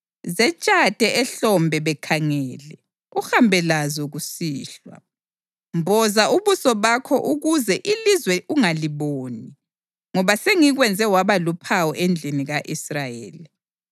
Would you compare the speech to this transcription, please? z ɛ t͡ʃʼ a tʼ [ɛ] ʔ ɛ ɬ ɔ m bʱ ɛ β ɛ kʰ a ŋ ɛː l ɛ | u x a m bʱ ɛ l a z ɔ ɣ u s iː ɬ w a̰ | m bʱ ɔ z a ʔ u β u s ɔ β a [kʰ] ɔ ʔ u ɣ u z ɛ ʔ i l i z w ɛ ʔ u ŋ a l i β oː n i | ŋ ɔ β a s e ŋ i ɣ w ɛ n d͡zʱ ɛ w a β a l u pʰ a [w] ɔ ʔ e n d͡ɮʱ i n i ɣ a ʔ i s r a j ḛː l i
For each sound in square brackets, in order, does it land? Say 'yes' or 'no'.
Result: yes, yes, yes

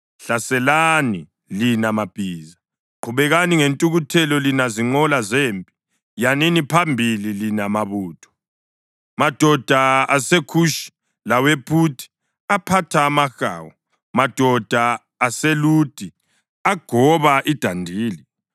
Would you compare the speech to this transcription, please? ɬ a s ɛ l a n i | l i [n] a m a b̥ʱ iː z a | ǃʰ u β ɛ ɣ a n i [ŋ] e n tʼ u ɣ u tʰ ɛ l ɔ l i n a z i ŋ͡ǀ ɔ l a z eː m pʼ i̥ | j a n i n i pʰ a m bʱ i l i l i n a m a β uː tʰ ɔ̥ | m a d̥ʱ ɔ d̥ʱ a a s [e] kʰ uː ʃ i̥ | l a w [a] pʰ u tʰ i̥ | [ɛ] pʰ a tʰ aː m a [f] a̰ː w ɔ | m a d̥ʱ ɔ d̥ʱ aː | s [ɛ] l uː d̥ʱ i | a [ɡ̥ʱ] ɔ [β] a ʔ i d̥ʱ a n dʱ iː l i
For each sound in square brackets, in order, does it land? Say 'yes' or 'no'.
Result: yes, yes, yes, no, no, no, no, yes, yes

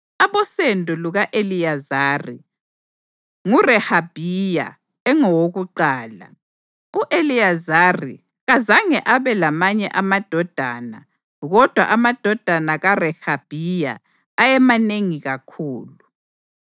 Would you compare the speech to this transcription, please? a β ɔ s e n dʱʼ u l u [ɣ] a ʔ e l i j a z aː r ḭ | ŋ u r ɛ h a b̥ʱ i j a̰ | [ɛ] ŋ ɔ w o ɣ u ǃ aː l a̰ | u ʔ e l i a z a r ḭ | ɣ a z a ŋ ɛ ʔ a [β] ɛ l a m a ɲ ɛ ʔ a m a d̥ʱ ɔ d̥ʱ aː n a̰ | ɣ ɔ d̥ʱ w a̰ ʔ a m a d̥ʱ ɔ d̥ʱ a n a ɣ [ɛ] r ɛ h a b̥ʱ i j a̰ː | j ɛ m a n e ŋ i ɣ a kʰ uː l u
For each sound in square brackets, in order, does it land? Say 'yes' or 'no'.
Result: yes, yes, yes, no

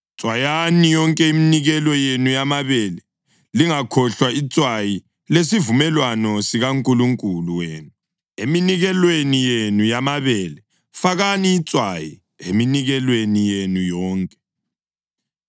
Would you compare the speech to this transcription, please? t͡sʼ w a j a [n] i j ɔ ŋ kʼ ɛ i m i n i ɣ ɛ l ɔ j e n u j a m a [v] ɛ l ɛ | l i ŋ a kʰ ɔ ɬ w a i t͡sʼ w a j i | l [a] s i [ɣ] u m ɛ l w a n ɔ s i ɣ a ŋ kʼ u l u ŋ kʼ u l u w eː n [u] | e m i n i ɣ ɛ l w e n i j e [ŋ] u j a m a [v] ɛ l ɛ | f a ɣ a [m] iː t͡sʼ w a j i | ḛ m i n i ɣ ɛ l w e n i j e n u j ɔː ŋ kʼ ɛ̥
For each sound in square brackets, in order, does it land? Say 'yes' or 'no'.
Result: yes, no, no, no, yes, no, no, no

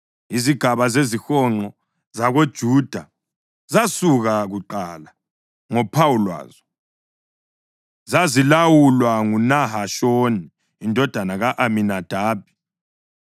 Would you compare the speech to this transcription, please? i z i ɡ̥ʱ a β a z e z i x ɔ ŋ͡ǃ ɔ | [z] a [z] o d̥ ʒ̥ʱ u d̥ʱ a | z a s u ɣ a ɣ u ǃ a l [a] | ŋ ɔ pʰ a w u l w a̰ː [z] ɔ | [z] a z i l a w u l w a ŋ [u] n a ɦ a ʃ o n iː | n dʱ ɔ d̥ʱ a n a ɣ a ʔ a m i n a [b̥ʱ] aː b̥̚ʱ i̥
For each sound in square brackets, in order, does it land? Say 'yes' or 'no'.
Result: yes, no, yes, yes, yes, yes, no

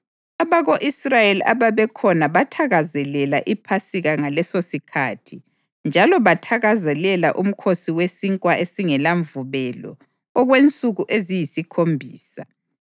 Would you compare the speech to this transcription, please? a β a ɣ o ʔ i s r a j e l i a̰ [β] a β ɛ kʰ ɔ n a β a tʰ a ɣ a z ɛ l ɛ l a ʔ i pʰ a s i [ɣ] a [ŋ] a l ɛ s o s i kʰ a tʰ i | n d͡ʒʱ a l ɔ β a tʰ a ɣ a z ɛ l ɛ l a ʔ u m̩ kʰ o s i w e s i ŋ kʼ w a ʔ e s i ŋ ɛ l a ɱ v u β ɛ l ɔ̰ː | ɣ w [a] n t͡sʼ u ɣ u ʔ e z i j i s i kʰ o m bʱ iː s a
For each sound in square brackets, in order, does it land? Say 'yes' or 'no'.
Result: yes, yes, yes, no

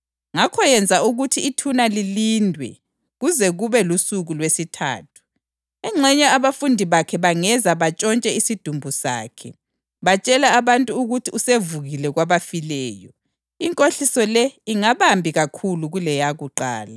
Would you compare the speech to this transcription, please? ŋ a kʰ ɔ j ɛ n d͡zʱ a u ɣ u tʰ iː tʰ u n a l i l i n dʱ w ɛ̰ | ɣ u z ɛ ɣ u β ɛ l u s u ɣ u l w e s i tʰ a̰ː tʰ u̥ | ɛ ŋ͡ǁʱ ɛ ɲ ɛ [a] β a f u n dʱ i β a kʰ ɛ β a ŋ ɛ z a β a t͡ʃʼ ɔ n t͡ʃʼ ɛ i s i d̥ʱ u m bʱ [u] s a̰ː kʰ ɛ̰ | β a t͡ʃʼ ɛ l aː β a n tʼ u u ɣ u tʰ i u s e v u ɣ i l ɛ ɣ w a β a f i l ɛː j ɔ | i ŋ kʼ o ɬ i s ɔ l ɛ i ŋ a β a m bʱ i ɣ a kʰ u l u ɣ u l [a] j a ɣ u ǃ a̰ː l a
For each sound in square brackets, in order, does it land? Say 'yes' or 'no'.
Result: yes, yes, no

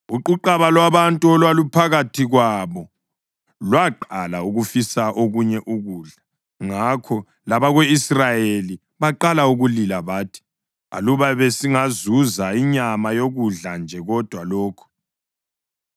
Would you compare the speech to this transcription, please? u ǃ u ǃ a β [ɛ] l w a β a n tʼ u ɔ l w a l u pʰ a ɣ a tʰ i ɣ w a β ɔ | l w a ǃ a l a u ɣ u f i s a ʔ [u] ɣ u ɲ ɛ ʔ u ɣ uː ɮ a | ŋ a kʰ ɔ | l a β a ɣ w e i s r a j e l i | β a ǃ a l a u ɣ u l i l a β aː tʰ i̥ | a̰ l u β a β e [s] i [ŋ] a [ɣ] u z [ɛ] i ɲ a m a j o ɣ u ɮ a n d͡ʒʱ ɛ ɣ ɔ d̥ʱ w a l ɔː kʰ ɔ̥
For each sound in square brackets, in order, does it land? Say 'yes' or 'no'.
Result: no, no, yes, yes, no, no

